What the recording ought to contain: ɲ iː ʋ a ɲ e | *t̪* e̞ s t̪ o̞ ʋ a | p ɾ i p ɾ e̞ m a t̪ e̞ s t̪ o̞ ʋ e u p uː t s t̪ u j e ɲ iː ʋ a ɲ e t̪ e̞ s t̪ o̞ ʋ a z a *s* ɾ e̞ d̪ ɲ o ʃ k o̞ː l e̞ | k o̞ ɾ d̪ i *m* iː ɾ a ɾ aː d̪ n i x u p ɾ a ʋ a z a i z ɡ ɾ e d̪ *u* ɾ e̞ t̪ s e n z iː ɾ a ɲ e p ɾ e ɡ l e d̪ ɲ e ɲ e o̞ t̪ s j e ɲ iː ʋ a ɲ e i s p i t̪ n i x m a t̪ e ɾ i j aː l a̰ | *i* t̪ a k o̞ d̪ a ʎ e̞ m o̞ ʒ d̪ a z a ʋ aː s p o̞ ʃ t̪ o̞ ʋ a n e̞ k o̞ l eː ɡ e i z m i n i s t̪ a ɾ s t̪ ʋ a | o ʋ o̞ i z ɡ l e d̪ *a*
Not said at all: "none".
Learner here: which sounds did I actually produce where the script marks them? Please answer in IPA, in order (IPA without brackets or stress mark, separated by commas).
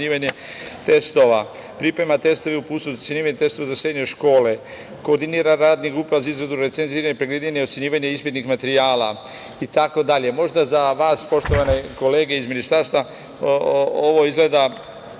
t̪, s, n, u, i, a